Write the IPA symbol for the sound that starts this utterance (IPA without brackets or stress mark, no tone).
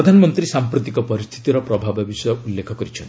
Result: d̪ʱ